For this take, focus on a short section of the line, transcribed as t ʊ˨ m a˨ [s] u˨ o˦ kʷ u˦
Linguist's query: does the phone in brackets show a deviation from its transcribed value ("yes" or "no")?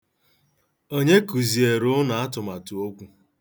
yes